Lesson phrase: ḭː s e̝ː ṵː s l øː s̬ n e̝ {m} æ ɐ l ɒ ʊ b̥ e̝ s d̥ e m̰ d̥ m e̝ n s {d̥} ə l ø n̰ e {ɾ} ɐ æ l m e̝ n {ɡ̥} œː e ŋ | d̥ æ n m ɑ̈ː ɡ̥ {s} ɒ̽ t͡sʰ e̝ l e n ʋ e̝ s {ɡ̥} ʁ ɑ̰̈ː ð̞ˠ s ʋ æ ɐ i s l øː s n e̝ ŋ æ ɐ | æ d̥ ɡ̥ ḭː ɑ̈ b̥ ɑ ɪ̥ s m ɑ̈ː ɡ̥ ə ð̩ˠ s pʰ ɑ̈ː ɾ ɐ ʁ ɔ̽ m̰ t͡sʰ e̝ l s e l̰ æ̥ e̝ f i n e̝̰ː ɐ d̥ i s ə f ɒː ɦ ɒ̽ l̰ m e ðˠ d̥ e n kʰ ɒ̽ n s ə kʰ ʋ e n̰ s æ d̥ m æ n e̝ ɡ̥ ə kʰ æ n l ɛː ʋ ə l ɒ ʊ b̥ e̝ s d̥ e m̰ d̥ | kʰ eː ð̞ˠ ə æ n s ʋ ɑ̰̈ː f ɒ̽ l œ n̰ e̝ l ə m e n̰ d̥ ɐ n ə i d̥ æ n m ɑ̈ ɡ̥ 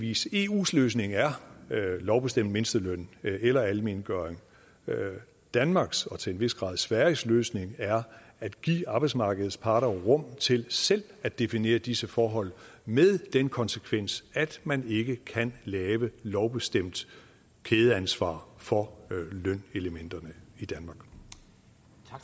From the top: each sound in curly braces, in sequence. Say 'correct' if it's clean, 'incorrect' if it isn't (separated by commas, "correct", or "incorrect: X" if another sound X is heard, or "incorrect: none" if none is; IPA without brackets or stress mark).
incorrect: ŋ, correct, incorrect: l, correct, correct, correct